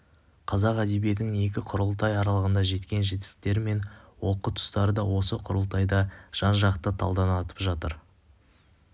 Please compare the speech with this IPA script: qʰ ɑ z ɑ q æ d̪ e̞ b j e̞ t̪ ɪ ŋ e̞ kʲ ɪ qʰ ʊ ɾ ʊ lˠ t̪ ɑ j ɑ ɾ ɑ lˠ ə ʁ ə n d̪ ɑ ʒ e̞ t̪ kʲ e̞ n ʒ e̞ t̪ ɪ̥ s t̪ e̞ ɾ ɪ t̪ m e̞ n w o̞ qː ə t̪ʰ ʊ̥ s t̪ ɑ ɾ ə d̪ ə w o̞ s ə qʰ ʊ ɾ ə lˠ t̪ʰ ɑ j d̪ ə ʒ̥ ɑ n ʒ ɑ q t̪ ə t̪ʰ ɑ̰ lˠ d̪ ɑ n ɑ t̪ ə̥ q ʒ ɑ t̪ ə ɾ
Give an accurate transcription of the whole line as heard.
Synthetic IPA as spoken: qʰ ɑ z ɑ q æ d̪ e̞ b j e̞ t̪ ɪ ŋ e̞ kʲ ɪ qʰ ʊ ɾ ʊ lˠ t̪ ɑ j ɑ ɾ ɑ lˠ ə ʁ ə n d̪ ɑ ʒ e̞ t̪ kʲ e̞ n ʒ e̞ t̪ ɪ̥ s t̪ e̞ ɾ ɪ m e̞ n w o̞ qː ə t̪ʰ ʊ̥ s t̪ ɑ ɾ ə d̪ ɑ w o̞ s ə qʰ ʊ ɾ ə lˠ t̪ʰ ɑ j d̪ ɑ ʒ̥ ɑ n ʒ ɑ q t̪ ə t̪ʰ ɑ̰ lˠ d̪ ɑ n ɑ t̪ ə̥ p ʒ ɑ t̪ ə ɾ